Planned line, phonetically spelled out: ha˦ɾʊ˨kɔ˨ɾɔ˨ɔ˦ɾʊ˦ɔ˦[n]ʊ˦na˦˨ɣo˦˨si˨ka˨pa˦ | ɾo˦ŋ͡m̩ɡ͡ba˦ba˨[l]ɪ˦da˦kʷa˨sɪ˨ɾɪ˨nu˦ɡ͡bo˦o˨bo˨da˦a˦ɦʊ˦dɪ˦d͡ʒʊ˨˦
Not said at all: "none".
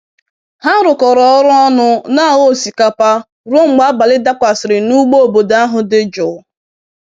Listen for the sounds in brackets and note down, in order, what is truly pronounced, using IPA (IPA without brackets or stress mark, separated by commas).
n, l